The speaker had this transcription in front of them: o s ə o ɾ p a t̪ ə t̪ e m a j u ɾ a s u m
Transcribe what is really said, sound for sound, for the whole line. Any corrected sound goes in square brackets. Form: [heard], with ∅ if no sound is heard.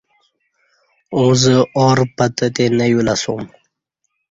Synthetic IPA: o [z] ə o ɾ p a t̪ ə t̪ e [n] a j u [l] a s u m